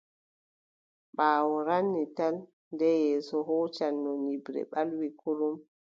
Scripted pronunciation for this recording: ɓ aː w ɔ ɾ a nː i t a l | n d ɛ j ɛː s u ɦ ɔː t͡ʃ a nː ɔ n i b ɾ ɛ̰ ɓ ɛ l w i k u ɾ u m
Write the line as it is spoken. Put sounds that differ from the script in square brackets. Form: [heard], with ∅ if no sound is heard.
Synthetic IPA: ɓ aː w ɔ ɾ a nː i t a l | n d ɛ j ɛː s [ɔ] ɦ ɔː t͡ʃ a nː ɔ n i b ɾ ɛ̰ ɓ [a] l w i k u ɾ u m